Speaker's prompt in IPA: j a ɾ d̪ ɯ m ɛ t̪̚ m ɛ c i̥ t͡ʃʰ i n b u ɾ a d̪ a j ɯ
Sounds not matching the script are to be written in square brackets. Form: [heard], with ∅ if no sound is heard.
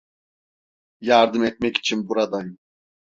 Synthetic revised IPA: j a ɾ d̪ ɯ m ɛ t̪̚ m ɛ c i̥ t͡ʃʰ i n b u ɾ a d̪ a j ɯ

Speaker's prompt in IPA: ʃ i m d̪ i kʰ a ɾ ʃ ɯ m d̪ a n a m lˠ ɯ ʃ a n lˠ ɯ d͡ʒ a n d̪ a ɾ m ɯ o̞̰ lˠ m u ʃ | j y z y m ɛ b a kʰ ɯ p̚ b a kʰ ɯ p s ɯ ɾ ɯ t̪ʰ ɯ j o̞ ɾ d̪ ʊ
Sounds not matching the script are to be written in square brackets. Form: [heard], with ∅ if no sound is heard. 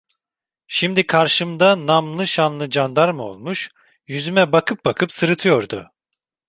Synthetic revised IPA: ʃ i m d̪ i kʰ a ɾ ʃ ɯ m d̪ a n a m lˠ ɯ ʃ a n lˠ ɯ d͡ʒ a n d̪ a ɾ m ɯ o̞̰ lˠ m u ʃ | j y z y m ɛ b a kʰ ɯ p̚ b a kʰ ɯ p s ɯ ɾ ɯ t̪ʰ ɯ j o̞ ɾ d̪ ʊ

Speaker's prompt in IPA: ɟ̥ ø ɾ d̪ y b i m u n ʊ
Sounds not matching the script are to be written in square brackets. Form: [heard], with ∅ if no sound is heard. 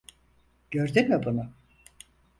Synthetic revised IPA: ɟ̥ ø ɾ d̪ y [m] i [b] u n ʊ

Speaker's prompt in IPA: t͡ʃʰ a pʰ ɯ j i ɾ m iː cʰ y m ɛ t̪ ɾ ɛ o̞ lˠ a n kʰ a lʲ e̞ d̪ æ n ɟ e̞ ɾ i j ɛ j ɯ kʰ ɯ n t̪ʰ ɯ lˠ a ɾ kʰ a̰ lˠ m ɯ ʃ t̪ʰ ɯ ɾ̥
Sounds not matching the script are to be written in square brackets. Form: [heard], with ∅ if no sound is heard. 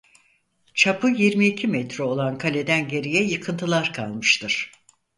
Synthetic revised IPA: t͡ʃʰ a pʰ ɯ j i ɾ m iː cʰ [i] m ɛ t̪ ɾ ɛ o̞ lˠ a n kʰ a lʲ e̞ d̪ æ n ɟ e̞ ɾ i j ɛ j ɯ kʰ ɯ n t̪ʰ ɯ lˠ a ɾ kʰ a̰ lˠ m ɯ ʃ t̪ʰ ɯ ɾ̥

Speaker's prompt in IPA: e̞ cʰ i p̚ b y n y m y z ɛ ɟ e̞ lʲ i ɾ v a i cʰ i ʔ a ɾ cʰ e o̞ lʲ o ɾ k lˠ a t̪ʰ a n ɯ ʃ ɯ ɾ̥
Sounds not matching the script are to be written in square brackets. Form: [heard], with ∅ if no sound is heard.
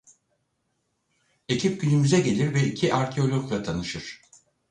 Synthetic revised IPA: e̞ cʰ i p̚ [ɟ] y n y m y z ɛ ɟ e̞ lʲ i ɾ v [ɛ] i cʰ i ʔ a ɾ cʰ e o̞ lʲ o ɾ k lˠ a t̪ʰ a n ɯ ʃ ɯ ɾ̥

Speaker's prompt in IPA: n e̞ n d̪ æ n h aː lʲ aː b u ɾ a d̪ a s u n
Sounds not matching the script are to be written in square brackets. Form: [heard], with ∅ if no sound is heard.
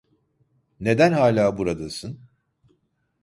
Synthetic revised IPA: n e̞ [∅] d̪ æ n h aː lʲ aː b u ɾ a d̪ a s [ɯ] n

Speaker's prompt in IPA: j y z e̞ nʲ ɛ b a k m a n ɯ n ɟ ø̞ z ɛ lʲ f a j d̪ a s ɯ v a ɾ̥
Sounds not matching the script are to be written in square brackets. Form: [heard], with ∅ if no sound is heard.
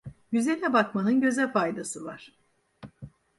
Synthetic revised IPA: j y z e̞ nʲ ɛ b a k m a n ɯ n ɟ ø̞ z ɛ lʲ f a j d̪ a s ɯ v a ɾ̥

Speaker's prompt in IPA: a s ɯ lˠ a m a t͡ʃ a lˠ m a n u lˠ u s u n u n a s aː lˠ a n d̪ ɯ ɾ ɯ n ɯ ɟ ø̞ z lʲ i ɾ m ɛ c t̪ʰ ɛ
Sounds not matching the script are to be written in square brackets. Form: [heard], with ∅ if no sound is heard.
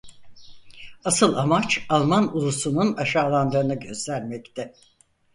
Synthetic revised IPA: a s ɯ lˠ a m a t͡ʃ a lˠ m a n u lˠ u s u n u n a [ʃ] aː lˠ a n d̪ ɯ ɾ ɯ n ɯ ɟ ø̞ z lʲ [æ] ɾ m ɛ c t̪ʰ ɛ

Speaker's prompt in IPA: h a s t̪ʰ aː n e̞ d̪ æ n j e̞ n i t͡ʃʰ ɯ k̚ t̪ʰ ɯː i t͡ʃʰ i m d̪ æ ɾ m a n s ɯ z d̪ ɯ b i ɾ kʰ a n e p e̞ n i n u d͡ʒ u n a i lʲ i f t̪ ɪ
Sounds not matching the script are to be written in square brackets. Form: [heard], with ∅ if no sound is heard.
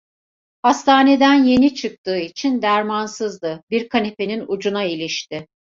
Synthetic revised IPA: h a s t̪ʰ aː n e̞ d̪ æ n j e̞ n i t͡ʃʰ ɯ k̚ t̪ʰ ɯː i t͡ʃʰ i [n] d̪ æ ɾ m a n s ɯ z d̪ ɯ b i ɾ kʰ a n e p e̞ n i n u d͡ʒ u n a i lʲ i [ʃ] t̪ ɪ

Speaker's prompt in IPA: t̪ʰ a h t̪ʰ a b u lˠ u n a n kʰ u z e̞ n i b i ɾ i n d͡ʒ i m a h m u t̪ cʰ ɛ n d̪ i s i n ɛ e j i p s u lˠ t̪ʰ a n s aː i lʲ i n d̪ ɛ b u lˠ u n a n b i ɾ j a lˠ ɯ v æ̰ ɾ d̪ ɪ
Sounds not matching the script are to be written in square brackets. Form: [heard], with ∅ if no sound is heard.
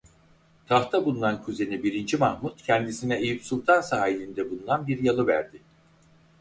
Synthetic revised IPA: t̪ʰ a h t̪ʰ a b u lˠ u n a n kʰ u z e̞ n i b i ɾ i n d͡ʒ i m a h m u t̪ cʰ ɛ n d̪ i s i n ɛ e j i p s u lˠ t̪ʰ a n s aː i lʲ i n d̪ ɛ b u lˠ u n a n b i ɾ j a lˠ ɯ v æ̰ ɾ d̪ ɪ

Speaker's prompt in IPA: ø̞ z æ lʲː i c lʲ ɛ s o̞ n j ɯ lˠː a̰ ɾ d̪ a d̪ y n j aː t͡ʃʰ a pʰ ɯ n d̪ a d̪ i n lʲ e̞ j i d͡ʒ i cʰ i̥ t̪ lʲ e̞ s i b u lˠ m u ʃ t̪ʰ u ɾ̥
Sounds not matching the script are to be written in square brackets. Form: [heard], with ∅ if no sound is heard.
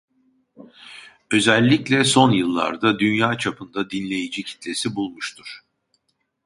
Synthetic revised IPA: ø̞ z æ lʲː i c lʲ ɛ s o̞ n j ɯ lˠː a̰ ɾ d̪ a d̪ y n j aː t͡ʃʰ a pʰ ɯ n d̪ a d̪ i n lʲ e̞ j i d͡ʒ i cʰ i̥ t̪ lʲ e̞ s i b u lˠ m u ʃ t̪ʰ u ɾ̥

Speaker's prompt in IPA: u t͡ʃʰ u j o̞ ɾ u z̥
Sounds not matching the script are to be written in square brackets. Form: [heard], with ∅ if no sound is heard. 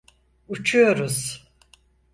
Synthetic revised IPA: u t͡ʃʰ u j o̞ ɾ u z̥

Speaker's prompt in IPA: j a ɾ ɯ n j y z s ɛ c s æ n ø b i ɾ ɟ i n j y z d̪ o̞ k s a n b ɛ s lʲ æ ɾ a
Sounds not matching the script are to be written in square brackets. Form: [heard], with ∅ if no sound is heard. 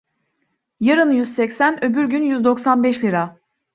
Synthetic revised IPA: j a ɾ ɯ n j y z s ɛ c s æ n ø b [y] ɾ ɟ [y] n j y z d̪ o̞ k s a n b ɛ [ʃ] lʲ [i] ɾ a

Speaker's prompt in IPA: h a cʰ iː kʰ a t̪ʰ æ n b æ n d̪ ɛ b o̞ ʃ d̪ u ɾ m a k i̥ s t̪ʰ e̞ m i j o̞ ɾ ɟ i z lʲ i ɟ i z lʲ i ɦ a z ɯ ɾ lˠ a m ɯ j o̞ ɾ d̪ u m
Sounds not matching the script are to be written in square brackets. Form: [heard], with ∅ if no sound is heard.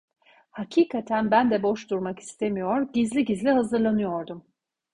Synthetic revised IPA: h a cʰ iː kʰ a t̪ʰ æ n b æ n d̪ ɛ b o̞ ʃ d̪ u ɾ m a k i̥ s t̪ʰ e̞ m i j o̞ ɾ ɟ i z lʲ i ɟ i z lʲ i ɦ a z ɯ ɾ lˠ a [n] ɯ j o̞ ɾ d̪ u m

